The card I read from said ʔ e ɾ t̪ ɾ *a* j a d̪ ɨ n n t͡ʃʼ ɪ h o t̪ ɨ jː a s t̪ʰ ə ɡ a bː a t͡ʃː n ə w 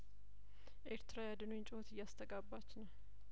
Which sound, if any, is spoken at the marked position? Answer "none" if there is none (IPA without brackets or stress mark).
a